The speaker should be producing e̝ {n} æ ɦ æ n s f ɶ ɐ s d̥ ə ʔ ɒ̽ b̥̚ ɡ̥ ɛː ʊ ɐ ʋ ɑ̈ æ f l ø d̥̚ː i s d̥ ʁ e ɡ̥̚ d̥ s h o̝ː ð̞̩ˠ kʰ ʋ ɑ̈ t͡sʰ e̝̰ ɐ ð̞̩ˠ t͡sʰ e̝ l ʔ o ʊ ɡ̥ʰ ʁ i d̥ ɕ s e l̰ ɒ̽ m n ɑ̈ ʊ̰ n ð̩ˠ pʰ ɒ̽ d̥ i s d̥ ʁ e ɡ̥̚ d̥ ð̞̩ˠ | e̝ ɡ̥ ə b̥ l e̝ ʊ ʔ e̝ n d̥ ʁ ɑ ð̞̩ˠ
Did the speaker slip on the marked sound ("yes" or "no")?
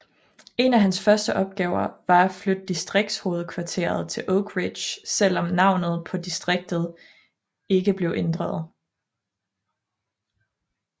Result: no